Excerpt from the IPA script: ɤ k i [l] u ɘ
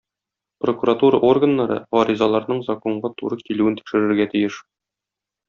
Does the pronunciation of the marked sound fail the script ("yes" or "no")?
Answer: no